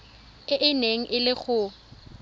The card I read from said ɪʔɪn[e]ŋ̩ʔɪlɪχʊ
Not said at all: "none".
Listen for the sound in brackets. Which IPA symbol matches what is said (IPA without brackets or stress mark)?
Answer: e